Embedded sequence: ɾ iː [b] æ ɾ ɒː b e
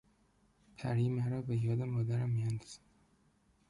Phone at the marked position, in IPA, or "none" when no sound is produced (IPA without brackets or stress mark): m